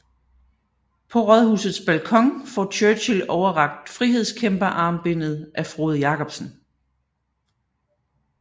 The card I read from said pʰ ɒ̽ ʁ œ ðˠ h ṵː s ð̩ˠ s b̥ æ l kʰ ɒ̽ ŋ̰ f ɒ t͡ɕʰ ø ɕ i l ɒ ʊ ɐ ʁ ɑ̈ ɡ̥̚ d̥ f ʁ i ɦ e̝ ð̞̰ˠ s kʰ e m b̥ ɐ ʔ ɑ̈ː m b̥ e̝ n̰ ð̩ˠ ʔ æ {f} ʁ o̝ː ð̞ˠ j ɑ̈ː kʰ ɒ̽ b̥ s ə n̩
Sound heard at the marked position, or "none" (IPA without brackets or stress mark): f